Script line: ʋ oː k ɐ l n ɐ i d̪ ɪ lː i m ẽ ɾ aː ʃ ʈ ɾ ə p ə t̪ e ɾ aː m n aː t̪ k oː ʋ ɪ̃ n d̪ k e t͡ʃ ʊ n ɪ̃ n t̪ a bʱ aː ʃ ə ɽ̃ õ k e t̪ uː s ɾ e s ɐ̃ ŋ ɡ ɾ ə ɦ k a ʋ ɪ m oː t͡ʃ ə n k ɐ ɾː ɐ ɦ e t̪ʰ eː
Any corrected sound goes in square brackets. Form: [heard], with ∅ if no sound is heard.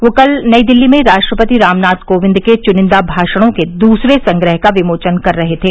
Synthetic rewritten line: ʋ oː k ɐ l n ɐ i d̪ ɪ lː i m ẽ ɾ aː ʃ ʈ ɾ ə p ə t̪ [i] ɾ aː m n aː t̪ k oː ʋ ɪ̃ n d̪ k e t͡ʃ ʊ n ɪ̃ n [d̪] a bʱ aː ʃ ə ɽ̃ õ k e [d̪] uː s ɾ e s ɐ̃ ŋ ɡ ɾ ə ɦ k a ʋ ɪ m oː t͡ʃ ə n k ɐ ɾː ɐ ɦ e t̪ʰ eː